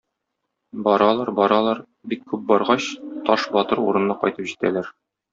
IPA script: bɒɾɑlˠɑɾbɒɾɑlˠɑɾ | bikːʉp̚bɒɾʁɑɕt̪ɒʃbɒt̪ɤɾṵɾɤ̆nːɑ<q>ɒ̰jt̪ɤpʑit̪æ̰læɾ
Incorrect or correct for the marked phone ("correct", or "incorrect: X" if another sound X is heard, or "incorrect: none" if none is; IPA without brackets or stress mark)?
correct